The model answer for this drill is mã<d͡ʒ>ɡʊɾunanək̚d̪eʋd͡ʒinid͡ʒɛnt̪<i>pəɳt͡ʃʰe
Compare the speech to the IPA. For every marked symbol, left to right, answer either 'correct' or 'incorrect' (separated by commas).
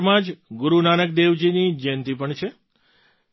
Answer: correct, correct